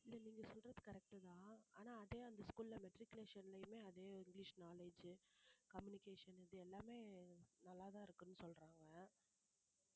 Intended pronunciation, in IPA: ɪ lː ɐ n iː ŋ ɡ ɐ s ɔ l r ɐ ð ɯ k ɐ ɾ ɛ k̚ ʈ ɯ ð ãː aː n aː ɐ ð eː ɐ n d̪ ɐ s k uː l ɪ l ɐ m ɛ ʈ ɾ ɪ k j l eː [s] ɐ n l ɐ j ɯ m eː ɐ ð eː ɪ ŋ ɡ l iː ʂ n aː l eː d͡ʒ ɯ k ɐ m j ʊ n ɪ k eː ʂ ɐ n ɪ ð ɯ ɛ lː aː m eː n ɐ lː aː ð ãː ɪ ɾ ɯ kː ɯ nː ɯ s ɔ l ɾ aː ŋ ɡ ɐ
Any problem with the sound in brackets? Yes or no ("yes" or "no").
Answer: yes